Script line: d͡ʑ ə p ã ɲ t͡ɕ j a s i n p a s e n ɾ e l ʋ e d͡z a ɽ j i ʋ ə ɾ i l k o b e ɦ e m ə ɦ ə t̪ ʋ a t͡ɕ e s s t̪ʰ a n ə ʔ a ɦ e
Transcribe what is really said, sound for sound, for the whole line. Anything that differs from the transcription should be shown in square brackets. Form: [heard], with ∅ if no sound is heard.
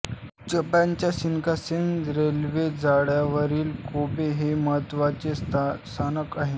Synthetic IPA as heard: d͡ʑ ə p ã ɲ t͡ɕ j a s i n [k] a s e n ɾ e l ʋ e d͡z a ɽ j [a] ʋ ə ɾ [iː] l k o b e ɦ e m ə ɦ ə t̪ ʋ a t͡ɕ e s s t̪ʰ a n ə [k] a ɦ e